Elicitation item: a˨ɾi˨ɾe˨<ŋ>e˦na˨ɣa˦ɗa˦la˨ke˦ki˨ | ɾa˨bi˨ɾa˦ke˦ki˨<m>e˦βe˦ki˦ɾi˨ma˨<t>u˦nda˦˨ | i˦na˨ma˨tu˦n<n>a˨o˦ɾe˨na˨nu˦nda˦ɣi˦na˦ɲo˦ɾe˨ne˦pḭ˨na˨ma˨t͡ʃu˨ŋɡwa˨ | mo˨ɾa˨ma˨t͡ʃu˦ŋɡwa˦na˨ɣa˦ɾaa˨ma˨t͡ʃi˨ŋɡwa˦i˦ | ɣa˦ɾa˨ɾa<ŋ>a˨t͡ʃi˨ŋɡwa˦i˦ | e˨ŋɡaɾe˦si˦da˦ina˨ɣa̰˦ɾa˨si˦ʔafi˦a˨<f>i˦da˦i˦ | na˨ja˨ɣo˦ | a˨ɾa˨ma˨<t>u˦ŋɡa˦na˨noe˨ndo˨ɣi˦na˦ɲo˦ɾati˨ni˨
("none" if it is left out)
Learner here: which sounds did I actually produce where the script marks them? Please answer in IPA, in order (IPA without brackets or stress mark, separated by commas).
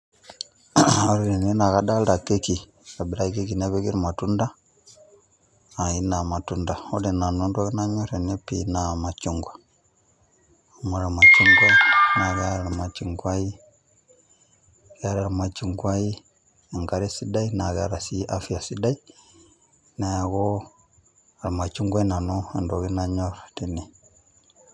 n, n, t, d, m, s, t͡ʃ